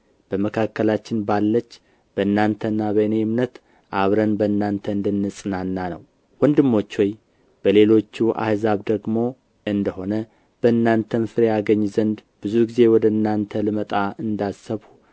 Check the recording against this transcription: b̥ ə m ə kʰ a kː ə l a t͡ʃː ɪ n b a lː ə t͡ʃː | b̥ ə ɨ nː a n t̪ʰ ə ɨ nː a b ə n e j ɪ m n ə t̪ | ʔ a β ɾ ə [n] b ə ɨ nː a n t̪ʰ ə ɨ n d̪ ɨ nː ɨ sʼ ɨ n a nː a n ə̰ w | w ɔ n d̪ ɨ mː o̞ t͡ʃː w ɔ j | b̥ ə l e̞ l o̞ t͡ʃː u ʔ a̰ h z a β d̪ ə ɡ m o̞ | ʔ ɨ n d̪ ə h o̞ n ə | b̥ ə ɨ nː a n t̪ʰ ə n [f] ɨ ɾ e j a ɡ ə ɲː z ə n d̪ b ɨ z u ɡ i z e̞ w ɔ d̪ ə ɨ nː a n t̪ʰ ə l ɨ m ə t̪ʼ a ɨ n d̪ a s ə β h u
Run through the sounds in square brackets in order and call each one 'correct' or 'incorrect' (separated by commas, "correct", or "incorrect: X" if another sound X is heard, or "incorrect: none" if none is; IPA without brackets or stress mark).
correct, correct